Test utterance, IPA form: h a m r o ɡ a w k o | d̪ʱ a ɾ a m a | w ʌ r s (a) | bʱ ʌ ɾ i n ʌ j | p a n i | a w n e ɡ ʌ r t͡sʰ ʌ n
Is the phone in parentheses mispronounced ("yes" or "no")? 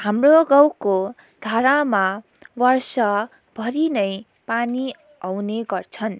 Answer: yes